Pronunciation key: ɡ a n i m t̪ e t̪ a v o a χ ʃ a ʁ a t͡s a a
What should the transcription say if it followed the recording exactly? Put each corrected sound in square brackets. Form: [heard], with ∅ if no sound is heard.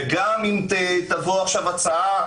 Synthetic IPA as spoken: ɡ a [m] i m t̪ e t̪ a v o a χ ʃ a [v] a t͡s a a